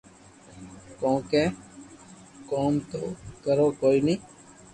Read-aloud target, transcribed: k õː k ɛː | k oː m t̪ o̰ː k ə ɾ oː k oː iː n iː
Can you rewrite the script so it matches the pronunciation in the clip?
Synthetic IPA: k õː k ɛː | k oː m t̪ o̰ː k ə ɾ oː k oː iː n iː